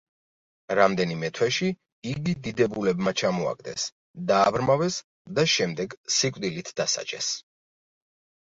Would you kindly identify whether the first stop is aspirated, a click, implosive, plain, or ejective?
plain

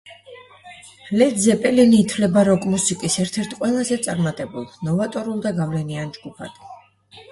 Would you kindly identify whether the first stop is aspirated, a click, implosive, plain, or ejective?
plain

